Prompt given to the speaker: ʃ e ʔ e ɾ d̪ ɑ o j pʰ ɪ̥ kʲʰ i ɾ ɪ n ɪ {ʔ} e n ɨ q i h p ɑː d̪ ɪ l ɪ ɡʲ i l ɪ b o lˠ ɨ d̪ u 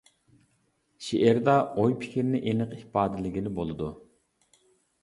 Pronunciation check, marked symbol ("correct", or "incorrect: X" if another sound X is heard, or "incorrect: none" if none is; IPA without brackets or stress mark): correct